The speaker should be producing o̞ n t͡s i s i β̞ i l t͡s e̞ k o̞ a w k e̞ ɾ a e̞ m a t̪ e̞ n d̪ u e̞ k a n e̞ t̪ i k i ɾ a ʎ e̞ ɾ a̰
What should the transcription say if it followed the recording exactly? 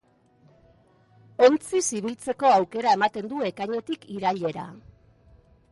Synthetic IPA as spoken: o̞ n t͡s i s i β̞ i l t͡s e̞ k o̞ a w k e̞ ɾ a e̞ m a t̪ e̞ n d̪ u e̞ k a ɲ e̞ t̪ i k i ɾ a ʎ e̞ ɾ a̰